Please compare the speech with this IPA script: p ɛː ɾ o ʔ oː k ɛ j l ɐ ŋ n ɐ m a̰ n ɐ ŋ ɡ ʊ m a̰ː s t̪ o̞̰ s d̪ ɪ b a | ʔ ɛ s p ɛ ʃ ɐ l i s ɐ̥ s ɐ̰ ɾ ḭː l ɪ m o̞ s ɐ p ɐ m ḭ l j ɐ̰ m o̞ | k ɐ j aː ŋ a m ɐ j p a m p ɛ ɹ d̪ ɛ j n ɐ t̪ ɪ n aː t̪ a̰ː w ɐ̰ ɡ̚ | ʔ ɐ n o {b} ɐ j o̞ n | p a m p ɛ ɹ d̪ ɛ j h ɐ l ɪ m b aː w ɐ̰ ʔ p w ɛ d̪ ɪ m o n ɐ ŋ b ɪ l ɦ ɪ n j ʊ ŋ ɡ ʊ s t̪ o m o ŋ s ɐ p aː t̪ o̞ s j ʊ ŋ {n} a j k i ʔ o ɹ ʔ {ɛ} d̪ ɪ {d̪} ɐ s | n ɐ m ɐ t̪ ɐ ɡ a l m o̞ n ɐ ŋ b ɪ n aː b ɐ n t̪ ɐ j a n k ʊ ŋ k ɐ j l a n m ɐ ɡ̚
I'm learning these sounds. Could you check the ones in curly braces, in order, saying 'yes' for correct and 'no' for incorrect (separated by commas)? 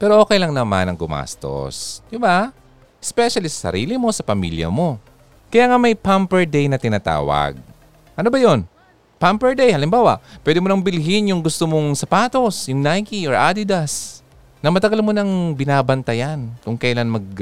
yes, yes, no, yes